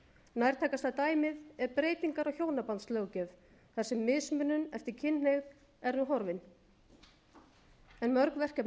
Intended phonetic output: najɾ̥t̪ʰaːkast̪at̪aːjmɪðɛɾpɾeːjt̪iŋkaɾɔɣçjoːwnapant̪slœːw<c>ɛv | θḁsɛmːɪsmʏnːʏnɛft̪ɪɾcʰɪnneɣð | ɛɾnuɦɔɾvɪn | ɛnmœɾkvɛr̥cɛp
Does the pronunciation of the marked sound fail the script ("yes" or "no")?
no